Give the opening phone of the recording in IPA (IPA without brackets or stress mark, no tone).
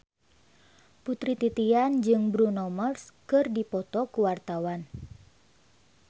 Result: p